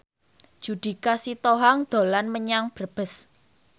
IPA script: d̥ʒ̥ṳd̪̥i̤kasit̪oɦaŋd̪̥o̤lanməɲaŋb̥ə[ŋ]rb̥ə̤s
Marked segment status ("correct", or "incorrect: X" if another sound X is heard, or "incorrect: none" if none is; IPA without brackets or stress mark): incorrect: none